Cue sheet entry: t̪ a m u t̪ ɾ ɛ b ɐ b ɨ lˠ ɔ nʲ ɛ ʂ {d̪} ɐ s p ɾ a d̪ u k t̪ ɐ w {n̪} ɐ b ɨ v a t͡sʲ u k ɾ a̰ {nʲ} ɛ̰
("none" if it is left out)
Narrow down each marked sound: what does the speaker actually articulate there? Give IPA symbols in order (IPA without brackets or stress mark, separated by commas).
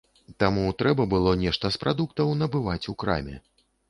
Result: t̪, n̪, mʲ